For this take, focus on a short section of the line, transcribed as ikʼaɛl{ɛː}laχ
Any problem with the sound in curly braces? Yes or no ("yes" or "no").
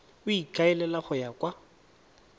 yes